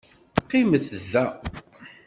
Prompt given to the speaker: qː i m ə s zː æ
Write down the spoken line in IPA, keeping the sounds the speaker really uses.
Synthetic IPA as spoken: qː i m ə θ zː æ